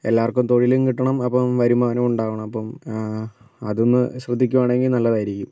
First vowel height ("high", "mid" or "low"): mid